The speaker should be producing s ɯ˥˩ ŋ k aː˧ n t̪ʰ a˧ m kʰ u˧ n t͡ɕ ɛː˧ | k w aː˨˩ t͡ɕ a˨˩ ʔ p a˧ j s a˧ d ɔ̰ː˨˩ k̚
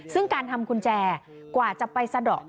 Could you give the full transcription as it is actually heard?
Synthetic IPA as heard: s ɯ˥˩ ŋ k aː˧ n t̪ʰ a˧ m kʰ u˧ n t͡ɕ ɛː˧ | k w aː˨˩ t͡ɕ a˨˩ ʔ p a˧ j s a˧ d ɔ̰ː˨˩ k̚